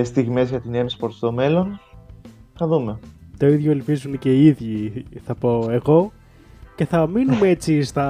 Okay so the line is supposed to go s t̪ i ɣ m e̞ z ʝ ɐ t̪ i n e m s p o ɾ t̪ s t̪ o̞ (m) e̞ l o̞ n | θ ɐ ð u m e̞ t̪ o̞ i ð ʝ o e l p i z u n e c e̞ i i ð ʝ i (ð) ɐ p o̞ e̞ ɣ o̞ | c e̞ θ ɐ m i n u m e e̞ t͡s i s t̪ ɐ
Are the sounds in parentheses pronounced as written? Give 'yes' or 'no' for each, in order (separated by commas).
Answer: yes, no